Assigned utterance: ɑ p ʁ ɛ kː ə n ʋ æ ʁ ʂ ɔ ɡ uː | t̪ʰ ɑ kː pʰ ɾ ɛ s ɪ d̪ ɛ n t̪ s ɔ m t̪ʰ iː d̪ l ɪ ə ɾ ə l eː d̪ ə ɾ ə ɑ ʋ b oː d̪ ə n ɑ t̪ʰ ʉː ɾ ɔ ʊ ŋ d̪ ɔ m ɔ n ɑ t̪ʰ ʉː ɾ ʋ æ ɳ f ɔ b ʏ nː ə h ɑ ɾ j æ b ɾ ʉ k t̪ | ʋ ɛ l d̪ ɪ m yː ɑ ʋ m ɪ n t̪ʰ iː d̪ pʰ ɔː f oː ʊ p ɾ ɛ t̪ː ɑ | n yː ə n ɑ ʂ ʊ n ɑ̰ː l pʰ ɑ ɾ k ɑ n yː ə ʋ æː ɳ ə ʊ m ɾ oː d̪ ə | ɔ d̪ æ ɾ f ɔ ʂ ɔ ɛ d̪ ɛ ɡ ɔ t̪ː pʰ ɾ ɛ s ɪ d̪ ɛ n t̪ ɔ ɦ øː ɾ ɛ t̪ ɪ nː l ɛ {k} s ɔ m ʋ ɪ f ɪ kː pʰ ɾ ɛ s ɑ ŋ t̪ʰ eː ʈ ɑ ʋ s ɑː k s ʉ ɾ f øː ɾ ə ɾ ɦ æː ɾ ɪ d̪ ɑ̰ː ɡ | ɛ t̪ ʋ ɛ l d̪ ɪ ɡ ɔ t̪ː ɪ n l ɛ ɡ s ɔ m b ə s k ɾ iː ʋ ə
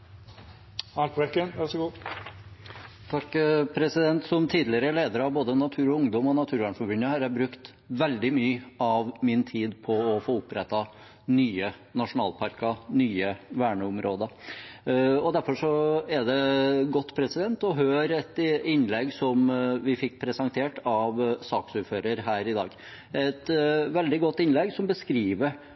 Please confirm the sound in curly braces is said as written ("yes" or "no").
no